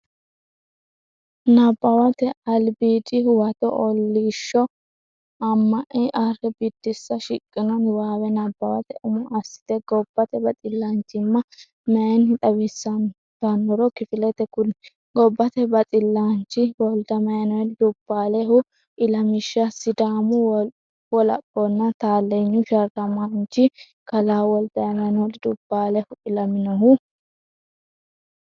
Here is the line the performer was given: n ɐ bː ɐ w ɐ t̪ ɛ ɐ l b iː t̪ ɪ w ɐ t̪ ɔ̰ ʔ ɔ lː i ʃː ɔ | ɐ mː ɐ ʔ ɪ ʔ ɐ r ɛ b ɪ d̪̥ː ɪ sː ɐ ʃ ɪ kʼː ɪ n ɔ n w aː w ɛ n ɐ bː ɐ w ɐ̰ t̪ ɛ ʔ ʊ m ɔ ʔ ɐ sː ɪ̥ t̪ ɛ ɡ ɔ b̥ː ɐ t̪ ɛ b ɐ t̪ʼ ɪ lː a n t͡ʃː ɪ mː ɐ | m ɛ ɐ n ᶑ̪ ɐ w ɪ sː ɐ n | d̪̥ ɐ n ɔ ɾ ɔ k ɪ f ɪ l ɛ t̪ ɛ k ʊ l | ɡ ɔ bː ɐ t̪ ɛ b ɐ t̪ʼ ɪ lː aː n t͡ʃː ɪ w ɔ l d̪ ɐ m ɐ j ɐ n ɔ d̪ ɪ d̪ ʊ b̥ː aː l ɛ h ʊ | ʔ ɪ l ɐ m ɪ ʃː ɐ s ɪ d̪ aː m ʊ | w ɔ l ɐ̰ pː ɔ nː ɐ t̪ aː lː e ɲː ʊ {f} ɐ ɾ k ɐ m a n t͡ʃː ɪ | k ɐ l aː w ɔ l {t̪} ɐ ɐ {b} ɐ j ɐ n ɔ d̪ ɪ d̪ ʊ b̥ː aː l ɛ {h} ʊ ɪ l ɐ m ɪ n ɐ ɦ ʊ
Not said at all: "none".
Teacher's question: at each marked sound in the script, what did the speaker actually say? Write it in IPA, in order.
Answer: ʃ, d̪, m, h

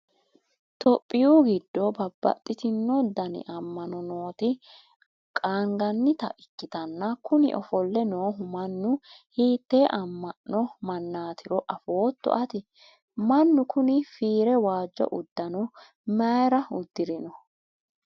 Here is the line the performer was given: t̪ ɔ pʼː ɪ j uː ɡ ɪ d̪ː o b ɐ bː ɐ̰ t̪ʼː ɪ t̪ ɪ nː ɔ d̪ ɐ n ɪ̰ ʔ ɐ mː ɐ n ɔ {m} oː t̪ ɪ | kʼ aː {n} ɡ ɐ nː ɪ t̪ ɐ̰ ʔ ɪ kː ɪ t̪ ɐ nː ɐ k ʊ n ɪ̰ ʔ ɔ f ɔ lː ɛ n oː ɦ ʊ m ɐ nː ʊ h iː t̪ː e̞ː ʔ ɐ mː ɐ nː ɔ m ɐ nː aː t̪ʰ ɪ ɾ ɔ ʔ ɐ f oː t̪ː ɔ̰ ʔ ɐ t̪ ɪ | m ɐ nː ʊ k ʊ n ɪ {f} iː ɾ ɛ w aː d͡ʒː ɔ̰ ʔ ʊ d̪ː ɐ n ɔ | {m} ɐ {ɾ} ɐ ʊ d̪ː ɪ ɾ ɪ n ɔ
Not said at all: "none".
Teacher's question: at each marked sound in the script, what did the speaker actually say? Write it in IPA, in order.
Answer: n, ŋ, f, m, ɾ

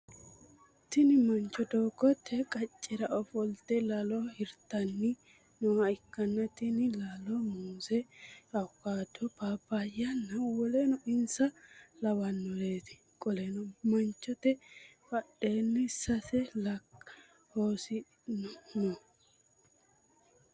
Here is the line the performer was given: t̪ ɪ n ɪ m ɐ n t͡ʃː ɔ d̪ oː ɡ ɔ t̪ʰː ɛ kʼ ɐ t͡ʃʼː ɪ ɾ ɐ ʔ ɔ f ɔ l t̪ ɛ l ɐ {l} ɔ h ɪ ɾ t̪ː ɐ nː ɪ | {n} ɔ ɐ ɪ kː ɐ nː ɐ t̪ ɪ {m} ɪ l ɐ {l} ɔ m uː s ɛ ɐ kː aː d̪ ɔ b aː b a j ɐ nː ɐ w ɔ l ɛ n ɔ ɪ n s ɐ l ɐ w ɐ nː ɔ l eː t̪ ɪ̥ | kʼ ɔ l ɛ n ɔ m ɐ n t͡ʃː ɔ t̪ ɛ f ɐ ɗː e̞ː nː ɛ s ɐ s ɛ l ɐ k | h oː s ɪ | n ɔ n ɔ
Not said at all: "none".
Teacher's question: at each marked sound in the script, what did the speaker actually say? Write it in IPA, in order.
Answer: l, n, n, l

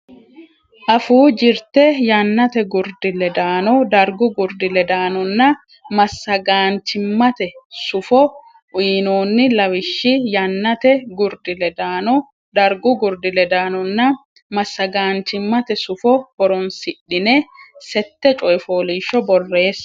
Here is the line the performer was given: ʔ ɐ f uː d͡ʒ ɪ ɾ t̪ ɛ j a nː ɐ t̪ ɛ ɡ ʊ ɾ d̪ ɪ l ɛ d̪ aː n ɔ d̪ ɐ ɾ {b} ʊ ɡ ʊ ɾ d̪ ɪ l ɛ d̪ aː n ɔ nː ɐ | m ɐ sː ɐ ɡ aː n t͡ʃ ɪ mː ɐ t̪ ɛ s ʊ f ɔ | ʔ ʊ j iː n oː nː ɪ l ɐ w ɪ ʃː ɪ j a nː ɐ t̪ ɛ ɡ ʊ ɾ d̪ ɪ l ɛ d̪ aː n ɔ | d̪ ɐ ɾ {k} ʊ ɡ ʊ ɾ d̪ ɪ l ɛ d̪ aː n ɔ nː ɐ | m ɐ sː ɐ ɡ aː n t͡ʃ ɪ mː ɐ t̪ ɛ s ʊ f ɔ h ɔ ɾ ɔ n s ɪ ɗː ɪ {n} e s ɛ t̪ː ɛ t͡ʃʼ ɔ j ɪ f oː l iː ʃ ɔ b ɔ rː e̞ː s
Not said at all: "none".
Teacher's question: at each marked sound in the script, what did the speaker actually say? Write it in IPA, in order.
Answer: ɡ, ɡ, n

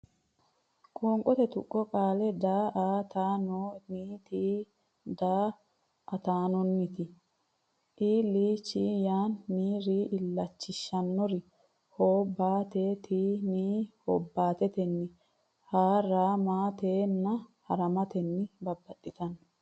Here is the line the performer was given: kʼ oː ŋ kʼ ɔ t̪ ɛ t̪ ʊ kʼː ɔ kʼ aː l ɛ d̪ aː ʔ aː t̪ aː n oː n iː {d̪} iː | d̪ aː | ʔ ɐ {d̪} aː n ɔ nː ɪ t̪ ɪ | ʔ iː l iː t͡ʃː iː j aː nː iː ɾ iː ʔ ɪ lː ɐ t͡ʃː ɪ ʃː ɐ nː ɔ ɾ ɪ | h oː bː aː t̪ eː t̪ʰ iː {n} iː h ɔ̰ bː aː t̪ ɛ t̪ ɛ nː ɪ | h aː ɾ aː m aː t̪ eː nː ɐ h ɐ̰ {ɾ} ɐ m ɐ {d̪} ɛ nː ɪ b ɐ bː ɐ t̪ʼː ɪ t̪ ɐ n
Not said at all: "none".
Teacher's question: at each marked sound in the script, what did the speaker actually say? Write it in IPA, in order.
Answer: t̪, t̪, n, ɾ, t̪

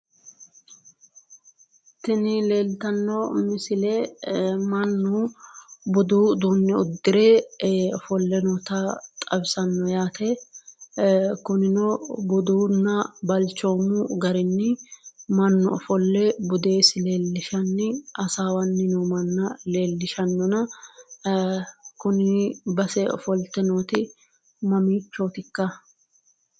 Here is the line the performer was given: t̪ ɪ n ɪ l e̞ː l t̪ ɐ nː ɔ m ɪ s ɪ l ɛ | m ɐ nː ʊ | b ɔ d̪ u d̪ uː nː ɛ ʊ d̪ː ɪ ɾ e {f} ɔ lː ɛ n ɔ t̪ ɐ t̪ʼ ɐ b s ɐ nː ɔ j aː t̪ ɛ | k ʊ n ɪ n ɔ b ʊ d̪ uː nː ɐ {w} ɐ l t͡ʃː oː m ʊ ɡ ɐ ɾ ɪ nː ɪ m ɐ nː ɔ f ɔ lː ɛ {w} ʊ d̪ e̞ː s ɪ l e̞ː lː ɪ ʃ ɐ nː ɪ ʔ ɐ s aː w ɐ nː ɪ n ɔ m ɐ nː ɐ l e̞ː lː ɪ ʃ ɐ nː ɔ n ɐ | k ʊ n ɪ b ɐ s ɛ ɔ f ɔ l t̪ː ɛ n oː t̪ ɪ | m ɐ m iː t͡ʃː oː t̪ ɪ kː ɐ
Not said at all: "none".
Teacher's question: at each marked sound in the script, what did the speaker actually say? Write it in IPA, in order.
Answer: f, b, b

